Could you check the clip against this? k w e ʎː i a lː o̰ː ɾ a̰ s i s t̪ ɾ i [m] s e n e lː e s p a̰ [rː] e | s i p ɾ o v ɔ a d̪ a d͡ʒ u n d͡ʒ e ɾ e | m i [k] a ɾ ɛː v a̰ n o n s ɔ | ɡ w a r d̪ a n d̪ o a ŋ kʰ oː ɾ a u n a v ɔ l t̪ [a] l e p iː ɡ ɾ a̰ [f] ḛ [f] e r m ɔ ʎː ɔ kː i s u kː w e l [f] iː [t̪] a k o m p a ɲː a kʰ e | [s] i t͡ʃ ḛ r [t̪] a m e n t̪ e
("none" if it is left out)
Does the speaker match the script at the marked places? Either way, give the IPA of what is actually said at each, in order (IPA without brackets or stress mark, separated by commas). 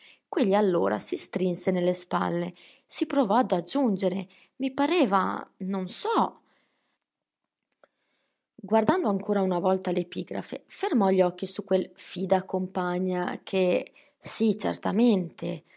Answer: n, lː, p, a, f, f, f, d̪, s, t̪